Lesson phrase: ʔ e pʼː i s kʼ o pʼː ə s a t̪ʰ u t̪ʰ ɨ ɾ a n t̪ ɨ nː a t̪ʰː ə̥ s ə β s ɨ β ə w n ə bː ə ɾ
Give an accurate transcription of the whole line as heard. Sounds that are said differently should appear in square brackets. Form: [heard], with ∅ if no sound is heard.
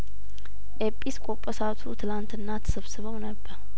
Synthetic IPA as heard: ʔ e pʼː i s kʼ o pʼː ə s a t̪ʰ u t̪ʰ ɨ [l] a n t̪ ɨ nː a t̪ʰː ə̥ s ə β s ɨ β ə w n ə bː ə ɾ